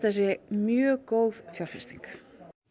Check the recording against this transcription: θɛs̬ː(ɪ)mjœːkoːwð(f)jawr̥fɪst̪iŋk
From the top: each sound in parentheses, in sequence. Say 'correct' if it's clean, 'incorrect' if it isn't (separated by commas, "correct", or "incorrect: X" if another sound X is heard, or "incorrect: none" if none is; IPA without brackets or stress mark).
correct, correct